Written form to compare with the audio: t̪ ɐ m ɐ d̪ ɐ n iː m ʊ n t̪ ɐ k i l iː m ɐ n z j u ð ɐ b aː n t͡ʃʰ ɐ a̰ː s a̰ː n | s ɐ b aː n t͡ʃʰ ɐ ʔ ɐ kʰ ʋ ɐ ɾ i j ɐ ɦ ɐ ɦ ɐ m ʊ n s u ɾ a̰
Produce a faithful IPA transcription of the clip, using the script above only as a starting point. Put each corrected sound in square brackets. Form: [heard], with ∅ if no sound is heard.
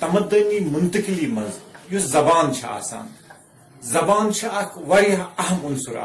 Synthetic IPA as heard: t̪ ɐ m ɐ d̪ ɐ n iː m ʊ n t̪ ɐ k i l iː m ɐ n z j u [z] ɐ b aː n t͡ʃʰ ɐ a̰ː s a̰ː n | [z] ɐ b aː n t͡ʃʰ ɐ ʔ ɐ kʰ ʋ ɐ ɾ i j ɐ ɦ ɐ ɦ ɐ m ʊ n s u ɾ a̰